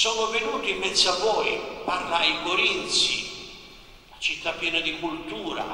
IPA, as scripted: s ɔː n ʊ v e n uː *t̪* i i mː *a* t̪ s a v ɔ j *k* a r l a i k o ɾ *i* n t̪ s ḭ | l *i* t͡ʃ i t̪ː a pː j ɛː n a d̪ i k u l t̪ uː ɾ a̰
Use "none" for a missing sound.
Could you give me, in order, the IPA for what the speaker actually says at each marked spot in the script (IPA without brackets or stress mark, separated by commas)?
t̪, ɛ, p, i, a